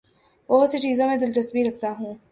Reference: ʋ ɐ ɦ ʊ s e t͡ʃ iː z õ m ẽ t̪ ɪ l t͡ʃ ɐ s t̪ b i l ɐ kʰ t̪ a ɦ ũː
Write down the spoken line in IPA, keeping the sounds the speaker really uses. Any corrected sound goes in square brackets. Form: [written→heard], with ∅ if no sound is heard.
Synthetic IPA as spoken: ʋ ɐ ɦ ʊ s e t͡ʃ iː z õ m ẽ [t̪→d̪] ɪ l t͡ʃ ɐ s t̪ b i [l→ɾ] ɐ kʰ t̪ a ɦ ũː